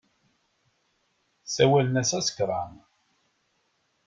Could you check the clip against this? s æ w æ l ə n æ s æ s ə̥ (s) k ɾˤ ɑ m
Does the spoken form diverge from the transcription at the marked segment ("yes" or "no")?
yes